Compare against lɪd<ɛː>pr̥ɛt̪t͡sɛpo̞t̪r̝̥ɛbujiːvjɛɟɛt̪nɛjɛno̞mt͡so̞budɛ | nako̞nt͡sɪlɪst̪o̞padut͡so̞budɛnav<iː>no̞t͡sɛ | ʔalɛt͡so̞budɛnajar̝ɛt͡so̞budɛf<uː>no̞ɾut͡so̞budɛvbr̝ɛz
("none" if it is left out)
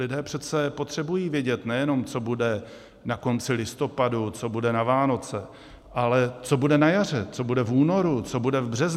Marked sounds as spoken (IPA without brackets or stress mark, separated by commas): ɛː, aː, uː